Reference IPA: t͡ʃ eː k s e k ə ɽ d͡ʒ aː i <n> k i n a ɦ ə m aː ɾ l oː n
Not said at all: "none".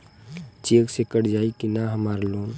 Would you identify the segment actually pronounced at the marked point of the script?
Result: none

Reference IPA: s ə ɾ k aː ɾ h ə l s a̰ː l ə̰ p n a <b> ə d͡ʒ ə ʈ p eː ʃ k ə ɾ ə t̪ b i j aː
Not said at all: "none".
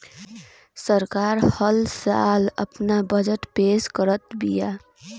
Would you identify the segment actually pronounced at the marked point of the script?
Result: b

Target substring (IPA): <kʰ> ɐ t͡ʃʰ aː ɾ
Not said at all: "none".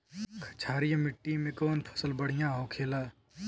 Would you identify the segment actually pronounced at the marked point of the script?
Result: kʰ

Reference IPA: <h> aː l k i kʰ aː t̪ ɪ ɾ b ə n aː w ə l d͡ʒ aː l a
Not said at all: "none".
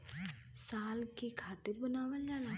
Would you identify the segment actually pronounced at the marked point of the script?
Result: s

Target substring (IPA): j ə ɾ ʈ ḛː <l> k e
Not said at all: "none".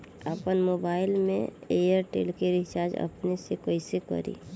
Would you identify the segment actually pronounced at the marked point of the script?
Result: l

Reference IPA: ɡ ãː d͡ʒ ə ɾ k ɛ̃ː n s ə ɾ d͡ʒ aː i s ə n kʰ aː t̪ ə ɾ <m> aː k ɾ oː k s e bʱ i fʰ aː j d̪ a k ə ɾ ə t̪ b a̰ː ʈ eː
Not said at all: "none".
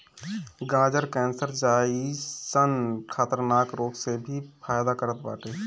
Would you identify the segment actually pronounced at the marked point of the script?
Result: n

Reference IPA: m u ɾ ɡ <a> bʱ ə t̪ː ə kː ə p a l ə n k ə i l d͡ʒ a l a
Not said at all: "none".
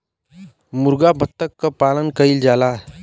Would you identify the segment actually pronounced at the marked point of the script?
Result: a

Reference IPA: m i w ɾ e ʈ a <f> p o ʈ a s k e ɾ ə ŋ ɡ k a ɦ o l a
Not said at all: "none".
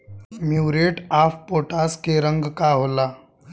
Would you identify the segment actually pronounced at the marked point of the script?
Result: f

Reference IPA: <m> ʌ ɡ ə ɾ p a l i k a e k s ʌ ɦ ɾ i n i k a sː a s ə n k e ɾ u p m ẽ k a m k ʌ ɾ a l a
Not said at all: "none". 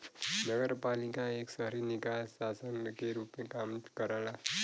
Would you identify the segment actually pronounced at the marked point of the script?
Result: n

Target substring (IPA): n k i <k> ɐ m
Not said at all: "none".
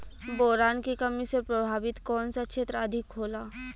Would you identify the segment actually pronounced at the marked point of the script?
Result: k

